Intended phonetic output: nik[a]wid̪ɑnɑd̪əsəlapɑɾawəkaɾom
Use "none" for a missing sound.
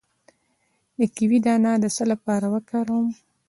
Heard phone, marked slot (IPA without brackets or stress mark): i